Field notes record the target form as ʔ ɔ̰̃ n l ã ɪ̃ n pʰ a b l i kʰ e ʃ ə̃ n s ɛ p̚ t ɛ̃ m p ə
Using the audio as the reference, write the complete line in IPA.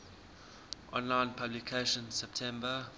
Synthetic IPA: ʔ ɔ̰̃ n l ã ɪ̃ n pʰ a b l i kʰ e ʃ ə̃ n s ɛ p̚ tʰ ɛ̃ m b ə